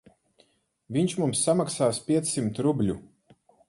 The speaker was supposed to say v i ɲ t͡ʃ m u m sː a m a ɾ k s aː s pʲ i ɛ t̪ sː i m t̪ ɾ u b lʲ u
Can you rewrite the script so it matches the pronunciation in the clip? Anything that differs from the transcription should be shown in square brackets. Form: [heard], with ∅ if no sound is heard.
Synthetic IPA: v i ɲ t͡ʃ m u m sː a m a [∅] k s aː s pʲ i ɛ t̪ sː i m t̪ ɾ u b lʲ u